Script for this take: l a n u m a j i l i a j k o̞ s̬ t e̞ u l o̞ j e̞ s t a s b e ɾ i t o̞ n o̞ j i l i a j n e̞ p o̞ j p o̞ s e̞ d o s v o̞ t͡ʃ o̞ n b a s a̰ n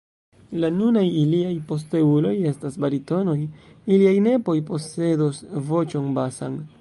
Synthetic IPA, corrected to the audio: l a n u n a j i l i a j p o̞ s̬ t e̞ u l o̞ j e̞ s t a s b a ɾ i t o̞ n o̞ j i l i a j n e̞ p o̞ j p o̞ s e̞ d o s v o̞ t͡ʃ o̞ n b a s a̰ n